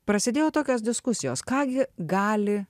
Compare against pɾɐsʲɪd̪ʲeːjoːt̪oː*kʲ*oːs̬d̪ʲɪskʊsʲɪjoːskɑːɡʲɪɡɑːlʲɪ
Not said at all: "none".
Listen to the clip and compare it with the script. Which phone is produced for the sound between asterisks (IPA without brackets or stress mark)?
kʲ